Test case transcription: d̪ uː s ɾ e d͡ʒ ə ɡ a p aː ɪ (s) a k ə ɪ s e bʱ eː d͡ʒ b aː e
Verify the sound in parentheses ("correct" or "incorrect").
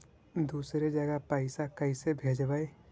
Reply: correct